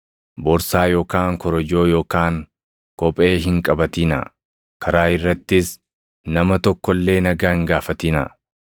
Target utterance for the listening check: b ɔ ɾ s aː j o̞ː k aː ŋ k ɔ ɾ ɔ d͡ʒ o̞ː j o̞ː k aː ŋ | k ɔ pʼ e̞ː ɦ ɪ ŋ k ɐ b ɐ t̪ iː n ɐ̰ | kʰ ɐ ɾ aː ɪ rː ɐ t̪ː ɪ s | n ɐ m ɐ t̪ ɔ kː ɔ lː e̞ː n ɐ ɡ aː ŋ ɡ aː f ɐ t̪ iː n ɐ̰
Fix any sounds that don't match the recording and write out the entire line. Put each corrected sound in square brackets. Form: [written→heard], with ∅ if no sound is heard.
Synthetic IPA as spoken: b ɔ ɾ s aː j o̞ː k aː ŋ k ɔ ɾ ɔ d͡ʒ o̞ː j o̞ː k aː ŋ | k ɔ pʼ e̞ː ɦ ɪ ŋ [k→kʼ] ɐ b ɐ t̪ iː n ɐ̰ | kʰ ɐ ɾ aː ɪ rː ɐ t̪ː ɪ s | n ɐ m ɐ t̪ ɔ kː ɔ lː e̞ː n ɐ ɡ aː ŋ ɡ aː f ɐ t̪ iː n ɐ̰